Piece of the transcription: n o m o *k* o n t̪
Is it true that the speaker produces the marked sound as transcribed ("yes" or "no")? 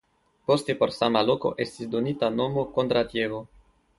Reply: yes